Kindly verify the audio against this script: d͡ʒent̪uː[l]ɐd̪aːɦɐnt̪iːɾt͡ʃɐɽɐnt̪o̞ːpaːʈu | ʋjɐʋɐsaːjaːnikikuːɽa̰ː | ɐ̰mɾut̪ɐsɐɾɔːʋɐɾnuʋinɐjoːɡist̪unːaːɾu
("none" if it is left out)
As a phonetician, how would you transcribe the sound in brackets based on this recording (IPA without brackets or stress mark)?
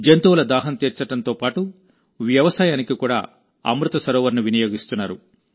l